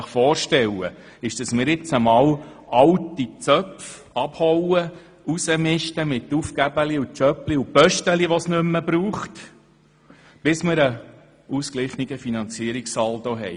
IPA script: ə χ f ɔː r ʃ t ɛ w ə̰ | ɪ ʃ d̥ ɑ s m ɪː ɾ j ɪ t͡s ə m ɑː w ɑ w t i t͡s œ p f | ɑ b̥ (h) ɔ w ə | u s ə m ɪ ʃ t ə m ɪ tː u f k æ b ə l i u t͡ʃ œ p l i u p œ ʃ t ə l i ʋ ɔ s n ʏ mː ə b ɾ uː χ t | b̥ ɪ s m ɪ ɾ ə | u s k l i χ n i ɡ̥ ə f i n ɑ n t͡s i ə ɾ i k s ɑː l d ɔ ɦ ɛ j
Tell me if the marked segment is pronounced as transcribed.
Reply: yes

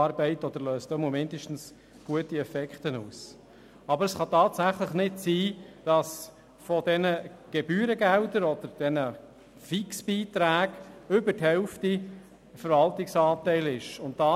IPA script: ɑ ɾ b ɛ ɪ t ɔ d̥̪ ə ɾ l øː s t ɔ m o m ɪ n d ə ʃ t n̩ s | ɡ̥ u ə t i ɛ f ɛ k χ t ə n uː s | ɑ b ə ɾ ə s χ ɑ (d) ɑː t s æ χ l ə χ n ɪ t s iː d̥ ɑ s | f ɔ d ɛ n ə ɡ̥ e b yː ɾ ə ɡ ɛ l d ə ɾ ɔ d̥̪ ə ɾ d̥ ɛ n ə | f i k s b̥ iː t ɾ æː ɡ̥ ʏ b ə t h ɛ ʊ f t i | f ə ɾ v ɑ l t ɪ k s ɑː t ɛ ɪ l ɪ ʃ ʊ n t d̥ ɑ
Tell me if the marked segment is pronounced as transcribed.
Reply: no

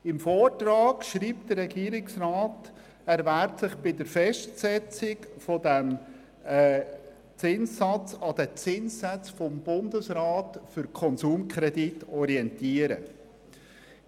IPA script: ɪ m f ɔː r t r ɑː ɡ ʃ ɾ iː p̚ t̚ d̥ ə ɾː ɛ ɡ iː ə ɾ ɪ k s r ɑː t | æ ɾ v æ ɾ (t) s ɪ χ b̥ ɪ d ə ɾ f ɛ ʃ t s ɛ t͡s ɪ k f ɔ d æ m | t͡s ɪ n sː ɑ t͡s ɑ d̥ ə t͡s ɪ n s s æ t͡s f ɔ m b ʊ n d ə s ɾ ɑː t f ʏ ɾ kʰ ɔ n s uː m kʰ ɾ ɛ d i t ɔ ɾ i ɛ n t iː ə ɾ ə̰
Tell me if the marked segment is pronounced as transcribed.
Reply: yes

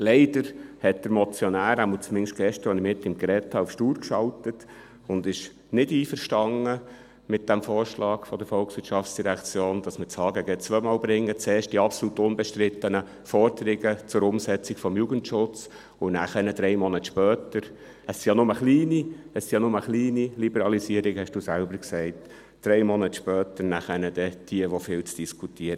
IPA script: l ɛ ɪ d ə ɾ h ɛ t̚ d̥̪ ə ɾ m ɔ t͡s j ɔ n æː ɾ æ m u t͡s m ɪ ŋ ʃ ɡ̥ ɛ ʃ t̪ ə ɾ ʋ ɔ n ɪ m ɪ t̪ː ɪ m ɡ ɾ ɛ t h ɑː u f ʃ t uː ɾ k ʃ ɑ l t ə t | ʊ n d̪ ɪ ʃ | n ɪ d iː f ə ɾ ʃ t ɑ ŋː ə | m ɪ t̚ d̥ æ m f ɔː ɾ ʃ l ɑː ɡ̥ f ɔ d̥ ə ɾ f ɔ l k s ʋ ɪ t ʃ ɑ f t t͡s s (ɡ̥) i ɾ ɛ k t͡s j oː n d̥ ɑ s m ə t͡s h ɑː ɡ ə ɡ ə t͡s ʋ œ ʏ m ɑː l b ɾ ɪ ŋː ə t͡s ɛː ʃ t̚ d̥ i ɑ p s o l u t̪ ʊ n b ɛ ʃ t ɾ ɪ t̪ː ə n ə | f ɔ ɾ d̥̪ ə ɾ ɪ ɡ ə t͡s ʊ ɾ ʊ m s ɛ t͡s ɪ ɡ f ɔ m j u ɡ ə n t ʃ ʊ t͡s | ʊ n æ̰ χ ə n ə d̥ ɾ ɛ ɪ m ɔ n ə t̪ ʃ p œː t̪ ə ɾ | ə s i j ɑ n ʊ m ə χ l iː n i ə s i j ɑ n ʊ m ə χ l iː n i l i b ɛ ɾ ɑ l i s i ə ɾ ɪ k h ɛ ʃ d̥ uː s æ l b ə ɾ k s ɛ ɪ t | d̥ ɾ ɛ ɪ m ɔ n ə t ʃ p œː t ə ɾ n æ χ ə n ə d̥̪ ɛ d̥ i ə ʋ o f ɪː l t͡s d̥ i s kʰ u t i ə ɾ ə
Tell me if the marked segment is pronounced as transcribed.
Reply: no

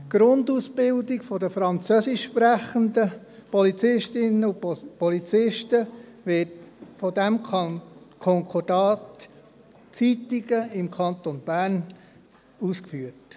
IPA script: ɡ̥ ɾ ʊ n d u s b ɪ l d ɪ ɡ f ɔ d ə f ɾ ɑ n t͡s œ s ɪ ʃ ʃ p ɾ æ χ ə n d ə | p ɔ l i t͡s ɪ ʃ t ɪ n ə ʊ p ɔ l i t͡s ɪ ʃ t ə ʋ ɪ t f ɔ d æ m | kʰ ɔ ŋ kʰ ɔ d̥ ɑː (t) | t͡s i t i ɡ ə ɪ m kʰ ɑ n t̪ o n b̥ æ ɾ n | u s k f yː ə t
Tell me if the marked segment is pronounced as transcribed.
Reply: yes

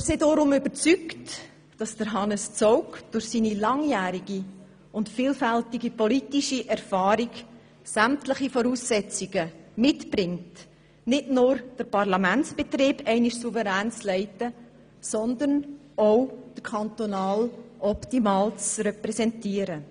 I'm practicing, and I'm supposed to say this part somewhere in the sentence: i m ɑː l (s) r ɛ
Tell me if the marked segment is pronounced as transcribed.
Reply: no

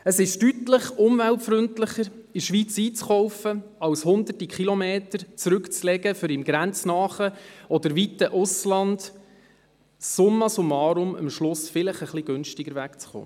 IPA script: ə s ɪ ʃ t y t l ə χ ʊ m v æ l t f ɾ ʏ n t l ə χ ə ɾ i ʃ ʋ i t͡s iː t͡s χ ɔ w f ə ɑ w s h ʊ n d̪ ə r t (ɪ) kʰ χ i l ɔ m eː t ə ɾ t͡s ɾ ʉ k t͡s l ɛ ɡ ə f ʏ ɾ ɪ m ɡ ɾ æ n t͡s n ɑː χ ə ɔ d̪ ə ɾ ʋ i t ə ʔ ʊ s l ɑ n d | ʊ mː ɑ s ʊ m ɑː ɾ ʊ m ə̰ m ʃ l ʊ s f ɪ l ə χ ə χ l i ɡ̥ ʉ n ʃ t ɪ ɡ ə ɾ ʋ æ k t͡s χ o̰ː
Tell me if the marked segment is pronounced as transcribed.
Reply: no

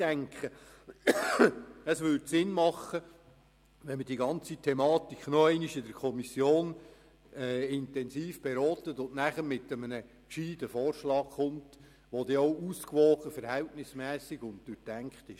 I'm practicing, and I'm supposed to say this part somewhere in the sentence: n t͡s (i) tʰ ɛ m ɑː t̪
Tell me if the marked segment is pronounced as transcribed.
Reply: yes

